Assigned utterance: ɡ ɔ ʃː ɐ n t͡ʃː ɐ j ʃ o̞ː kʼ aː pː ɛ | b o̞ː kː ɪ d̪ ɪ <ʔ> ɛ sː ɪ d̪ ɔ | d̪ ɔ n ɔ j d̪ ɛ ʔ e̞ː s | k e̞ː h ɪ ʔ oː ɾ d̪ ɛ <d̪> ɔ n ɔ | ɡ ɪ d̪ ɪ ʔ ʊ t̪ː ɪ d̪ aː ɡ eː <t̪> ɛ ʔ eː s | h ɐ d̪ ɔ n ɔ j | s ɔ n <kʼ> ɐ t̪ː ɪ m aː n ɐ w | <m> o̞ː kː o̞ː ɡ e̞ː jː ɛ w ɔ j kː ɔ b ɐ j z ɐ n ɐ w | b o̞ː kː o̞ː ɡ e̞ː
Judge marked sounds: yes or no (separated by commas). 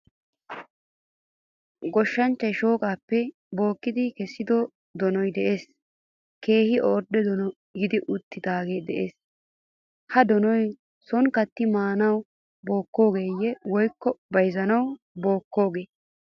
no, yes, no, no, no